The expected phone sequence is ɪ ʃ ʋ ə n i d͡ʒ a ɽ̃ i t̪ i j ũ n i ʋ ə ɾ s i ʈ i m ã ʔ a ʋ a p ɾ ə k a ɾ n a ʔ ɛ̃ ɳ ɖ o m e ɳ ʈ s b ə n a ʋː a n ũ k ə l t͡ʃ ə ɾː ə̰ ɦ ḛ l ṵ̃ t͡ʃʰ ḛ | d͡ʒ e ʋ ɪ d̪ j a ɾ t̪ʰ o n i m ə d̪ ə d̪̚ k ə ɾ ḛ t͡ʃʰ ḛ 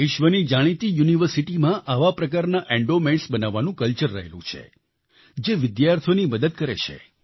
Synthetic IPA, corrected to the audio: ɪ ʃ ʋ ə n i d͡ʒ a ɽ̃ i t̪ i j u n i ʋ ə ɾ s i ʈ i m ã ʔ a ʋ a p ɾ ə k a ɾ n a ʔ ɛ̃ ɳ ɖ o m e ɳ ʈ s b ə n a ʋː a n ũ k ə l t͡ʃ ə ɾː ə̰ ɦ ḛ l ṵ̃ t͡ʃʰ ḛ | d͡ʒ e ʋ ɪ d̪ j a ɾ t̪ʰ o n i m ə d̪ ə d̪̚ k ə ɾ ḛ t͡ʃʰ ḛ